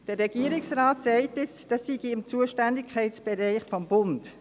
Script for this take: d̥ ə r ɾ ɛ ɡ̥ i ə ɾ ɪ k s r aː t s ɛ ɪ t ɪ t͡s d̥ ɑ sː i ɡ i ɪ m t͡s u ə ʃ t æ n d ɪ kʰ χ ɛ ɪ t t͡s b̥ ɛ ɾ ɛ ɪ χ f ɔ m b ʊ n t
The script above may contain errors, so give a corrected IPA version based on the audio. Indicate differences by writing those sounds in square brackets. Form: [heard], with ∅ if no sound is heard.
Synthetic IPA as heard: d̥ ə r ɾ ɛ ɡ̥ i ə ɾ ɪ k s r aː t s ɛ ɪ t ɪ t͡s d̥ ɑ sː i ɡ i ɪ m t͡s u ə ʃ t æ n d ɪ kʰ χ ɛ ɪ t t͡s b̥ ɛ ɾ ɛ ɪ χ f ɔ m b ʊ n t